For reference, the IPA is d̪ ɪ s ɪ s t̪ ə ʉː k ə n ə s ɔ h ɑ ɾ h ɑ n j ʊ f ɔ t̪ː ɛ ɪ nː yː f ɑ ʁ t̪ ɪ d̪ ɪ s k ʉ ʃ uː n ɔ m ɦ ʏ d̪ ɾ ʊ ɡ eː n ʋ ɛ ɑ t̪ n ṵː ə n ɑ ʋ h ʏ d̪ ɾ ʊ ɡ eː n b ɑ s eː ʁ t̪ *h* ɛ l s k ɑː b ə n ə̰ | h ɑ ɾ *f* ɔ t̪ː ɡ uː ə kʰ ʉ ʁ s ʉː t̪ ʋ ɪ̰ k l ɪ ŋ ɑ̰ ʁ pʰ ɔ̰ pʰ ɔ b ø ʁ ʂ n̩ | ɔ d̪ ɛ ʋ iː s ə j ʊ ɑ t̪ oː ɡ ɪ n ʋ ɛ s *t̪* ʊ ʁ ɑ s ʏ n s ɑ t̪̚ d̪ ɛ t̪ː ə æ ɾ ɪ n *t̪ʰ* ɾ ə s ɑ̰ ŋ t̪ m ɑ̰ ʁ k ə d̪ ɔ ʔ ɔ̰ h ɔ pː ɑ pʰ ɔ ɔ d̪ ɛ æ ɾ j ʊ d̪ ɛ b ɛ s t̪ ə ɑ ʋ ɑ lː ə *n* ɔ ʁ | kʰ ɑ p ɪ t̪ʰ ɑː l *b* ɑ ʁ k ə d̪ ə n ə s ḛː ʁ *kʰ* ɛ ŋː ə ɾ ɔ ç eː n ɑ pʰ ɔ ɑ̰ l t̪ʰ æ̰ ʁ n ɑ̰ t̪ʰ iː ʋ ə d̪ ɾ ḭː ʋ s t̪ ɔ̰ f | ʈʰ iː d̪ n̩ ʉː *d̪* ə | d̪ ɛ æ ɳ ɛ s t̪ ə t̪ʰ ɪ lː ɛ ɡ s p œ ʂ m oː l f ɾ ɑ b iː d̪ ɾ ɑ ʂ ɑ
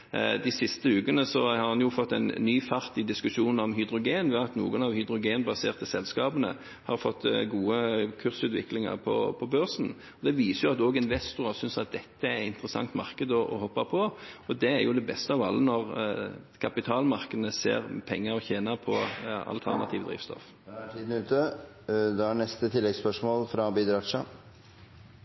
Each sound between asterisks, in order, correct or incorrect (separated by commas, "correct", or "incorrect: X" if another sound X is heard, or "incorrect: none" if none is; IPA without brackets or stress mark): incorrect: s, correct, correct, incorrect: t̪, correct, incorrect: m, incorrect: pʰ, incorrect: t̪